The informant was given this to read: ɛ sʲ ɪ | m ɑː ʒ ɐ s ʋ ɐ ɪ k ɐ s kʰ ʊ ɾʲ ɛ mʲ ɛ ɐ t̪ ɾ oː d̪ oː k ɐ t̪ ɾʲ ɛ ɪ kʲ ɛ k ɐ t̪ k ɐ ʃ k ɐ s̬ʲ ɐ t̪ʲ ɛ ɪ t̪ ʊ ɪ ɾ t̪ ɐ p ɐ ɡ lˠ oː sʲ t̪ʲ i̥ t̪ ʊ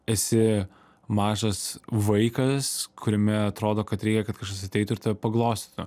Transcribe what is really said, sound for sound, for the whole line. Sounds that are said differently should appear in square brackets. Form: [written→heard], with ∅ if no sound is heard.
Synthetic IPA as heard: ɛ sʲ ɪ | m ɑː ʒ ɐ s ʋ ɐ ɪ k ɐ s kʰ ʊ ɾʲ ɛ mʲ ɛ ɐ t̪ ɾ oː d̪ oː k ɐ t̪ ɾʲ ɛ ɪ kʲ ɛ k ɐ t̪ k ɐ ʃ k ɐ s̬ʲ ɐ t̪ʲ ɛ ɪ t̪ ʊ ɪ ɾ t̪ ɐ p ɐ ɡ lˠ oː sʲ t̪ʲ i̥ t̪ ʊ